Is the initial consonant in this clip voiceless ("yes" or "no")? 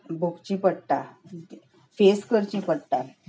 no